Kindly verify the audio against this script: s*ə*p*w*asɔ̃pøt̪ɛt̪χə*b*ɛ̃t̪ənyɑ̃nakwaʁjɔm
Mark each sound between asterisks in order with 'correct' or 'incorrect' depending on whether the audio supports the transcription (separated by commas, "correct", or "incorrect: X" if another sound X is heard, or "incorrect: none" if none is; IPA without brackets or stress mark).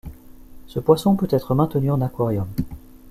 correct, correct, incorrect: m